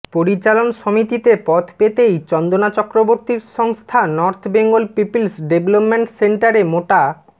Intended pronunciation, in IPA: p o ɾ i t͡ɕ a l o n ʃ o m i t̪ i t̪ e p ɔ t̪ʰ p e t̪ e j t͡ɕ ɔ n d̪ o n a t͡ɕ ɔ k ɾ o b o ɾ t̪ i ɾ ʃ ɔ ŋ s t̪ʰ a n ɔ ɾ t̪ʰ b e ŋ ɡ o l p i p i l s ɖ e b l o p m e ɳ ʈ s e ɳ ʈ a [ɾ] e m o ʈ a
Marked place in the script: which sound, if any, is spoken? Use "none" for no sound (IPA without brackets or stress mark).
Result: ɾ